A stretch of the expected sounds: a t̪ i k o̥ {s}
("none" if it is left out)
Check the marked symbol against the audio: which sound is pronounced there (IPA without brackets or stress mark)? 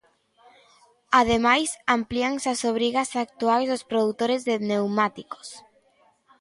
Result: s